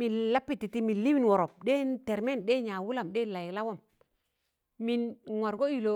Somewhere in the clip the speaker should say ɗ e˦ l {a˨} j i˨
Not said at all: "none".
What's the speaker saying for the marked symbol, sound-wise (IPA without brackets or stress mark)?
a˨